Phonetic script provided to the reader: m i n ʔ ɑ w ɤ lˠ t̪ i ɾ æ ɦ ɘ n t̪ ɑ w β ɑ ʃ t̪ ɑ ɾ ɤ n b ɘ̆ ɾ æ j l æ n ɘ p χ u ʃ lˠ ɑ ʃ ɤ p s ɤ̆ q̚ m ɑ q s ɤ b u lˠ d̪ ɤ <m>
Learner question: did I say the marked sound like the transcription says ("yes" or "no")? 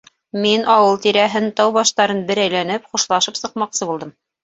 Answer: yes